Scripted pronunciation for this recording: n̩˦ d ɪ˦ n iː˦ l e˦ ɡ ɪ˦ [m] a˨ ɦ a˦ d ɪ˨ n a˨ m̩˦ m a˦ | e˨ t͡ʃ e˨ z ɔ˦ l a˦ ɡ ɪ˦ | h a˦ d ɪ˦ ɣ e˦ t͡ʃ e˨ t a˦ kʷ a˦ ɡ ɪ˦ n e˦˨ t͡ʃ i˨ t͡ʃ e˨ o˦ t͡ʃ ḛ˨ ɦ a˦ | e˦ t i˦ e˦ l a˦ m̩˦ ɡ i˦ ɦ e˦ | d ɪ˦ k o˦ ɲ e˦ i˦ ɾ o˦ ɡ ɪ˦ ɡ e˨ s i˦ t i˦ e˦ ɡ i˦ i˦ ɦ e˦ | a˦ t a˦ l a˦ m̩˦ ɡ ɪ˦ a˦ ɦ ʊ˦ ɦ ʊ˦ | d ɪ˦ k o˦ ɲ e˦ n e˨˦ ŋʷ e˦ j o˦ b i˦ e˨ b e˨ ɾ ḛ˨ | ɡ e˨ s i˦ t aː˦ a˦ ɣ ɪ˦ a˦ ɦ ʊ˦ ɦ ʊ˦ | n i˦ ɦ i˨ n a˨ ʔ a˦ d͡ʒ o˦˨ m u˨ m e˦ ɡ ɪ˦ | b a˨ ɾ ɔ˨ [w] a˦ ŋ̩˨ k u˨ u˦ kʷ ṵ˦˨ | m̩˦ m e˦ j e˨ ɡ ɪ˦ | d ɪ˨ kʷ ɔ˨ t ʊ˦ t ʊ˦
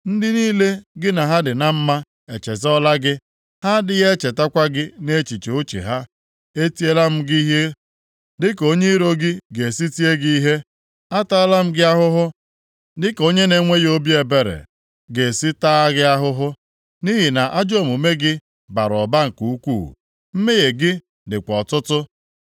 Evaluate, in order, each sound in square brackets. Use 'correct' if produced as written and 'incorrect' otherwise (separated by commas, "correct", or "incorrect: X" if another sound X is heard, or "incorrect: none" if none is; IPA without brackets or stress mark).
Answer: incorrect: n, incorrect: b